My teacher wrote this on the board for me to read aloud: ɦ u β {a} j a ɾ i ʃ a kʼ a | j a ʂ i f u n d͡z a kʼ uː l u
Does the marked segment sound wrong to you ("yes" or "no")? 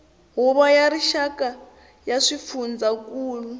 no